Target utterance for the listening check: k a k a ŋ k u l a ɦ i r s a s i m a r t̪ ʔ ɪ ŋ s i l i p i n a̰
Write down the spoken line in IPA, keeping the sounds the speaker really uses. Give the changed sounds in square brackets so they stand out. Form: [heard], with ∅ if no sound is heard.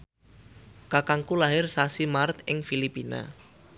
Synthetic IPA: k a k a ŋ k u l a ɦ [ɪ] r s a s i m a r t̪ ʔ ɪ ŋ [f] i l i p i n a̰